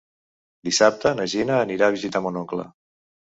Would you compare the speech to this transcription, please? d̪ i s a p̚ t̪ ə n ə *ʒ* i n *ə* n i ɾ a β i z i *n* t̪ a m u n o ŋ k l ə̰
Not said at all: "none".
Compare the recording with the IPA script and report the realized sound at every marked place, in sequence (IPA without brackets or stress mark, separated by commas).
ʒ, əː, none